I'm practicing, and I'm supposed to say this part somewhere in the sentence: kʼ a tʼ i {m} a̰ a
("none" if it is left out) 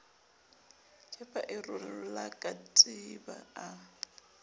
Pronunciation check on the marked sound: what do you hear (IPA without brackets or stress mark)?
b